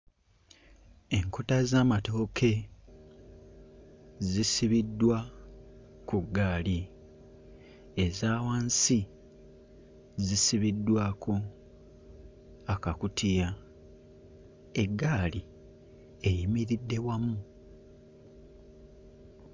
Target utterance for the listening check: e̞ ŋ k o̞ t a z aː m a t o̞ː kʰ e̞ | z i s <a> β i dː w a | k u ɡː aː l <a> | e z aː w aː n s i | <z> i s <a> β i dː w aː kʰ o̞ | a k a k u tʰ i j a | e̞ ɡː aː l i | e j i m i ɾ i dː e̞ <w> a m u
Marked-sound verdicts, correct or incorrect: incorrect: i, incorrect: i, correct, incorrect: i, correct

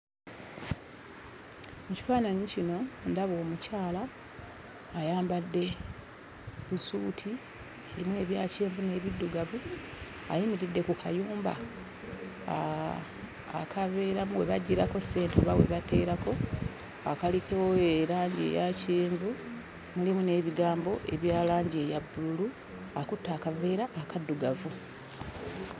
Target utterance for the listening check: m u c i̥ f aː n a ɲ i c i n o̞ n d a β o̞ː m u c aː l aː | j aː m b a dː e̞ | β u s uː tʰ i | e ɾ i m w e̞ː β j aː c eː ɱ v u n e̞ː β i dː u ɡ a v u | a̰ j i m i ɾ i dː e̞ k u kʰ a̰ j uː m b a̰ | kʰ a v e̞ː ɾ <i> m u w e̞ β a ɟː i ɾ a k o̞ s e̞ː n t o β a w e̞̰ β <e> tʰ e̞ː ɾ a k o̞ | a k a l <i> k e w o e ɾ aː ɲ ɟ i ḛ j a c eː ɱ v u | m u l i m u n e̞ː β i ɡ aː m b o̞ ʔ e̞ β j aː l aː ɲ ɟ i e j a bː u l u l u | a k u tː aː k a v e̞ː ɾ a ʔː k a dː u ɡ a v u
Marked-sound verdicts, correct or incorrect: incorrect: a, incorrect: a, correct

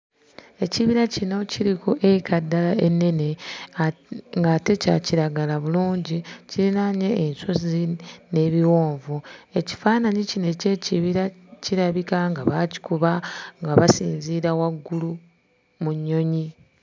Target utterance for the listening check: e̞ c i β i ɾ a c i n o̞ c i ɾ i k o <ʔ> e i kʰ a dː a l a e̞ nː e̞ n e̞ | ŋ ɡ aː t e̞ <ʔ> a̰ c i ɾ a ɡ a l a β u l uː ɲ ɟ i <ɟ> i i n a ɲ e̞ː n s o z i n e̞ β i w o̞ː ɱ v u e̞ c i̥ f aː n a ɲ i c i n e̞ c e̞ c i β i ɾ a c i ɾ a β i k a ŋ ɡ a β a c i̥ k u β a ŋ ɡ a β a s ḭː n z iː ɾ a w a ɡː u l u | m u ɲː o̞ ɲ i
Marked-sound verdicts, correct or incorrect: correct, incorrect: c, incorrect: c

